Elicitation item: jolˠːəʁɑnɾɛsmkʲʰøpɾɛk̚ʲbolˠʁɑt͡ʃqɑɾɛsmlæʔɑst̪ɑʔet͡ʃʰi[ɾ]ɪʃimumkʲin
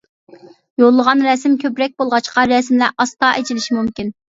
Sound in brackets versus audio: incorrect: l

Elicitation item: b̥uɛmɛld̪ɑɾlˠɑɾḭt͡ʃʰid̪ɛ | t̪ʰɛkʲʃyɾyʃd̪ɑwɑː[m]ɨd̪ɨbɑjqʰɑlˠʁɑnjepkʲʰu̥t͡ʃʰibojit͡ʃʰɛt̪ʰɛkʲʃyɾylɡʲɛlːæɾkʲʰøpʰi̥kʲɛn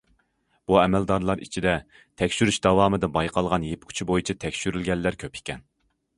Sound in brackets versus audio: correct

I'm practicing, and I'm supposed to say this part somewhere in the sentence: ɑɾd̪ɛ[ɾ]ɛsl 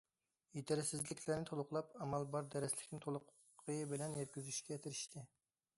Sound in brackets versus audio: correct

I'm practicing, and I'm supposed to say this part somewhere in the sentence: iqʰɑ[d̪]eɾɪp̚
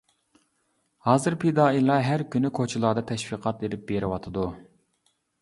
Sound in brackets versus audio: incorrect: t̪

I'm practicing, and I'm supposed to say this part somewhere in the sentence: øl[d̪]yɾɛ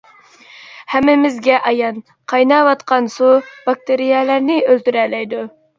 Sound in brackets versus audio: incorrect: t̪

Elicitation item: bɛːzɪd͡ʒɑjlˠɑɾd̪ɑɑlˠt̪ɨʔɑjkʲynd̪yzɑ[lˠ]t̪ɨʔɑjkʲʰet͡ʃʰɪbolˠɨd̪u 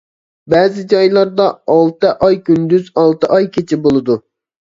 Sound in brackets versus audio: correct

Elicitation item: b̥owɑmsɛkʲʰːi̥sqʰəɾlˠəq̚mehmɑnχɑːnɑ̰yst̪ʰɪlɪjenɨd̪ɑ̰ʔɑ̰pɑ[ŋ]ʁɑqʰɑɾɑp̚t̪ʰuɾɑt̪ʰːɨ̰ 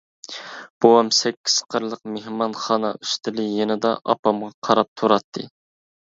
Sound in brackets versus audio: incorrect: m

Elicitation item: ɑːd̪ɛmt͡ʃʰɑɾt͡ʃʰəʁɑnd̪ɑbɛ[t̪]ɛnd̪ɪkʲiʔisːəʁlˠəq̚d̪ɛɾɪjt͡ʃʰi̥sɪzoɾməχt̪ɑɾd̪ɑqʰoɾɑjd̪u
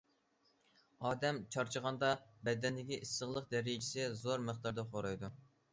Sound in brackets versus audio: incorrect: d̪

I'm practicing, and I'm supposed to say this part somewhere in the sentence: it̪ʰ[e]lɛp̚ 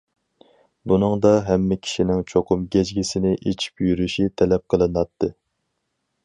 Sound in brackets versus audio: incorrect: ɛ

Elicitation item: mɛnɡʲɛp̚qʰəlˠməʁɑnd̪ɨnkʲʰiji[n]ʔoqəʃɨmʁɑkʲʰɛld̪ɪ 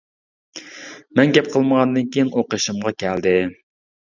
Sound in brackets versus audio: correct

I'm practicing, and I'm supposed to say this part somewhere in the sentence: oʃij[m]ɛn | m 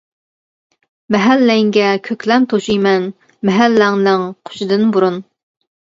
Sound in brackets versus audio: correct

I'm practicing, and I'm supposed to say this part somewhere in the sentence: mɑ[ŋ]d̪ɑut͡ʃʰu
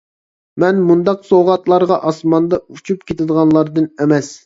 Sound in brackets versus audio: incorrect: n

